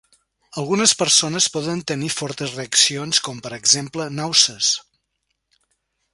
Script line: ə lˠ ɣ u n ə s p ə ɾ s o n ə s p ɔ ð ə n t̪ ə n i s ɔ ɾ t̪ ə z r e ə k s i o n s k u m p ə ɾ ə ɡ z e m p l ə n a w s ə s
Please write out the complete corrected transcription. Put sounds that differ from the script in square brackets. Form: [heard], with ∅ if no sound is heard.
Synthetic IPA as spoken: ə lˠ ɣ u n ə s p ə ɾ s o n ə s p ɔ ð ə n t̪ ə n i [f] ɔ ɾ t̪ ə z r e ə k s i o n s k [ɔ] m p ə ɾ ə ɡ z e m p l ə n a w s ə s